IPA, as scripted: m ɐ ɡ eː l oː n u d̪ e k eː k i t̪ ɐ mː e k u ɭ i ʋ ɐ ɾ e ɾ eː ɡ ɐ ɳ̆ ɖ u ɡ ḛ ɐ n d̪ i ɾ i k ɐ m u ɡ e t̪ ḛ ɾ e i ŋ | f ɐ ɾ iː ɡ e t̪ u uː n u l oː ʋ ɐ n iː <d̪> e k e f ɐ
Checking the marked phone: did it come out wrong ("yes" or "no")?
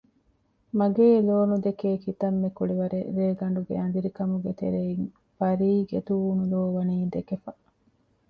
no